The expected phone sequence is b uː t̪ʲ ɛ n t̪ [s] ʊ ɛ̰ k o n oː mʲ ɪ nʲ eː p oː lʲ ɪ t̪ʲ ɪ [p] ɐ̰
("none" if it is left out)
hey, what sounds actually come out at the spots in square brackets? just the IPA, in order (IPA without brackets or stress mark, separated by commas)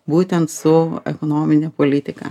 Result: s, k